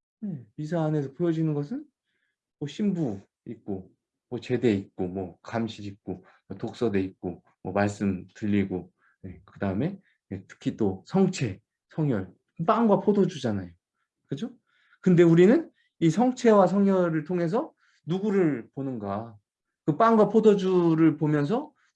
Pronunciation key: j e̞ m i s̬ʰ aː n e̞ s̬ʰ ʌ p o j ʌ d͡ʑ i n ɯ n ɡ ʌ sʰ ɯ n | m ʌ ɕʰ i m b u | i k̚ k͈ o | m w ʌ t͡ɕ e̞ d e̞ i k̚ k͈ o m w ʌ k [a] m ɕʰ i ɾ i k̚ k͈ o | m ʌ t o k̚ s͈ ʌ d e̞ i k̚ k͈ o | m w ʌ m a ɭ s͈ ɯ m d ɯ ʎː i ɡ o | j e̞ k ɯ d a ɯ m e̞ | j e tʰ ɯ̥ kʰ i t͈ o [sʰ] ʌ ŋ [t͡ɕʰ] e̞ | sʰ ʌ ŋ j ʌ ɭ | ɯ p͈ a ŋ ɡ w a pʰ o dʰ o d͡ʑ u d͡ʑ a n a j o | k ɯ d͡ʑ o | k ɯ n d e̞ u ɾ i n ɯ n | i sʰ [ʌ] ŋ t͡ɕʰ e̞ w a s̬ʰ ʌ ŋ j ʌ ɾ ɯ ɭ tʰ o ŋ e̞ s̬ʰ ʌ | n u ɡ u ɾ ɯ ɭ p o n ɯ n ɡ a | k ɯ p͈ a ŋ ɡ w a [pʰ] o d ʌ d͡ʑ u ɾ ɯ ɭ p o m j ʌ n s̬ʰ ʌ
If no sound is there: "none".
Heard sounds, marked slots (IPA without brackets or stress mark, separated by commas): a, sʰ, t͡ɕʰ, ʌ, pʰ